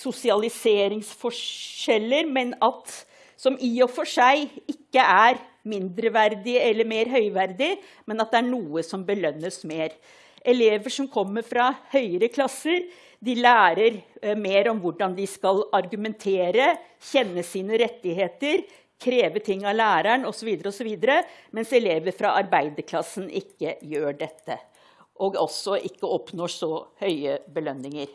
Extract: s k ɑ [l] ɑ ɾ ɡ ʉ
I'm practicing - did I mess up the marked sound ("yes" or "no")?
no